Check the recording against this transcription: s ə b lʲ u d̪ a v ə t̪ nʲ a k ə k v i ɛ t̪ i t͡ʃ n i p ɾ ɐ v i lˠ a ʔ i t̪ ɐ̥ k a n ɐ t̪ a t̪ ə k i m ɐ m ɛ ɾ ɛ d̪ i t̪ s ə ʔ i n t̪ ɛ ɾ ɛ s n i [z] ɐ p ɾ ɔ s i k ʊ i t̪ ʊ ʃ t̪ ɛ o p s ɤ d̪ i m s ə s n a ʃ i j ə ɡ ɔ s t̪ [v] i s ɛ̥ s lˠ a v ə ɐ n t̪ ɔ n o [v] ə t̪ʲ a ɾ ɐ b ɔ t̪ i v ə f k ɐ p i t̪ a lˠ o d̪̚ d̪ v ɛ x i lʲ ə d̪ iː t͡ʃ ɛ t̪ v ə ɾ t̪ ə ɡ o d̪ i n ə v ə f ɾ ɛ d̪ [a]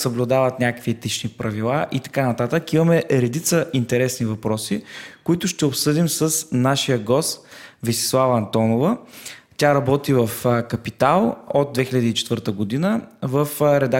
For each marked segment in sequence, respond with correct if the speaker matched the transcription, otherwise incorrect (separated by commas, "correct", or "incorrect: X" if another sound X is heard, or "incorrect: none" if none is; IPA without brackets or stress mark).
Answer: incorrect: v, correct, correct, correct